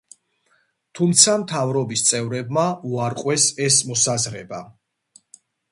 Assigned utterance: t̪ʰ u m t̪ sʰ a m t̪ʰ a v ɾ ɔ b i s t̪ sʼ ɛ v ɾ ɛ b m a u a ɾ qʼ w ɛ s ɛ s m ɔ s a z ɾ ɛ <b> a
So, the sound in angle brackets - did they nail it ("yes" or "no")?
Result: yes